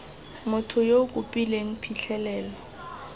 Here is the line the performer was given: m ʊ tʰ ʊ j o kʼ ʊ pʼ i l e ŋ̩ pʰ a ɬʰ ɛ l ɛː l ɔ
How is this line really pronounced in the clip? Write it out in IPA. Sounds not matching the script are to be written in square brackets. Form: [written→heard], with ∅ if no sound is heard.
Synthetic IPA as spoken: m ʊ tʰ ʊ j o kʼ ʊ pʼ i l e ŋ̩ pʰ [a→i] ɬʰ ɛ l ɛː l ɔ